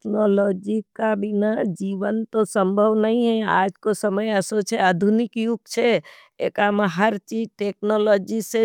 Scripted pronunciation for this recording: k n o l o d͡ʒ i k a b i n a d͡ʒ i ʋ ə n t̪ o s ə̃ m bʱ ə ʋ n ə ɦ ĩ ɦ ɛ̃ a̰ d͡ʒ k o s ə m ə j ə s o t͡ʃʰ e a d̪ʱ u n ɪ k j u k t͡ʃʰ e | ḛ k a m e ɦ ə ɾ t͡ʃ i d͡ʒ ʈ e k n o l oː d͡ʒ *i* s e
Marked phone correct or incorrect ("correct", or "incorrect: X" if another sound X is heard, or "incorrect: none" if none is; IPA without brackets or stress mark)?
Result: correct